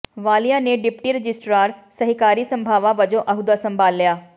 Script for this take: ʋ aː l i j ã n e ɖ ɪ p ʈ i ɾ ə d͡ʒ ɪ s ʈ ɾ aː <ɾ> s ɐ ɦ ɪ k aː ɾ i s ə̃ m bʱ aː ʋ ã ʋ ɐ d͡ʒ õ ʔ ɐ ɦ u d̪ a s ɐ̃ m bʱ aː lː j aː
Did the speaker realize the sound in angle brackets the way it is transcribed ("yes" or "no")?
yes